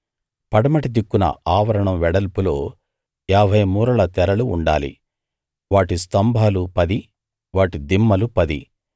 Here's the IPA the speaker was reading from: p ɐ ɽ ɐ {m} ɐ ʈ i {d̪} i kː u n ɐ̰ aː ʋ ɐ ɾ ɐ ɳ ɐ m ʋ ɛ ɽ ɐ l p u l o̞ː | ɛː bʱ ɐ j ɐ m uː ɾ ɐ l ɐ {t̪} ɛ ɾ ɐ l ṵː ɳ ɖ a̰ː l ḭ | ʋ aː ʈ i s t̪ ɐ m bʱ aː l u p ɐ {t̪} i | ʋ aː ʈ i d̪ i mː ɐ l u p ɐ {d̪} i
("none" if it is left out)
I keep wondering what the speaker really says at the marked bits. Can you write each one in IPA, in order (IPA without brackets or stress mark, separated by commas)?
m, d̪, t̪, d̪, d̪